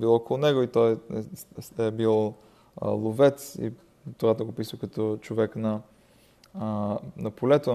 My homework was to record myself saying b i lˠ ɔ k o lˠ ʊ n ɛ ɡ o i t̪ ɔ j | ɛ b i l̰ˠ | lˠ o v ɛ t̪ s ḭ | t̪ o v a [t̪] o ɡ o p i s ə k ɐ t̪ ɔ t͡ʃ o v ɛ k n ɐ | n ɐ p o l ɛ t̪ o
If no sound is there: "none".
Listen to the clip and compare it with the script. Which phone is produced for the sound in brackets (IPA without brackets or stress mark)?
t̪